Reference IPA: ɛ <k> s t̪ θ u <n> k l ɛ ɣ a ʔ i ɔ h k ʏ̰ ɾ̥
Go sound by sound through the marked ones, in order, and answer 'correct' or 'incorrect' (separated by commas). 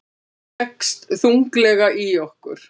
correct, incorrect